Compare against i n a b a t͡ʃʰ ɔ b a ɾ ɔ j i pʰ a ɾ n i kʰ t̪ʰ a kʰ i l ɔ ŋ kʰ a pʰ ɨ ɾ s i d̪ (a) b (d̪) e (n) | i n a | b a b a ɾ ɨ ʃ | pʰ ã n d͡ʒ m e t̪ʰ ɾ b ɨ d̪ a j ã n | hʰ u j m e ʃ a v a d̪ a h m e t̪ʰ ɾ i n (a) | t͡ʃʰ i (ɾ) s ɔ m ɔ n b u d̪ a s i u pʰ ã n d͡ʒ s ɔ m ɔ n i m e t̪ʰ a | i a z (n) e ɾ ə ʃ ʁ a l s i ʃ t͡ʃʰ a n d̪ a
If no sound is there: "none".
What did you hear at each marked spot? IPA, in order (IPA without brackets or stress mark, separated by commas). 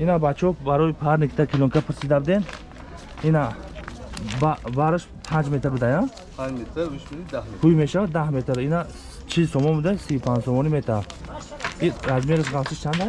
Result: a, d̪, n, a, l, m